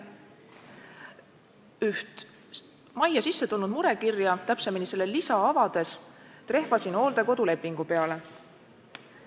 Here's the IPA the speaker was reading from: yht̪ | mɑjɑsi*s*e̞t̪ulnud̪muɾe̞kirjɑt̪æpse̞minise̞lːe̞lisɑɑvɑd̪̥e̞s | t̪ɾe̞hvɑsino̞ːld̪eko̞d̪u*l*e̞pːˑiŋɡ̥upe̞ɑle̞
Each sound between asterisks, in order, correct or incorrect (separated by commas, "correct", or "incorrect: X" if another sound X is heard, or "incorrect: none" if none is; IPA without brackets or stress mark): incorrect: sː, correct